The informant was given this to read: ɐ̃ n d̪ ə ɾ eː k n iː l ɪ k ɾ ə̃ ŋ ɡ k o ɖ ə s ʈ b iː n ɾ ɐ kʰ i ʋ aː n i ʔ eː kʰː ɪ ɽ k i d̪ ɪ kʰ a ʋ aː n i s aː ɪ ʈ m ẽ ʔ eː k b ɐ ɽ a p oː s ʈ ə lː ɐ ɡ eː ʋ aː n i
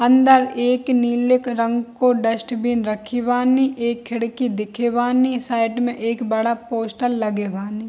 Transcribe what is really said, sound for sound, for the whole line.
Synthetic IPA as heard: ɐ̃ n d̪ ə ɾ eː k n iː l ɪ k ɾ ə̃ ŋ ɡ k o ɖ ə s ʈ b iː n ɾ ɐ kʰ i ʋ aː n i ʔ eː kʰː ɪ ɽ k i d̪ ɪ kʰ e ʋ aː n i s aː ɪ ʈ m ẽ ʔ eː k b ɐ ɽ a p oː s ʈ ə lː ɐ ɡ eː ʋ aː n i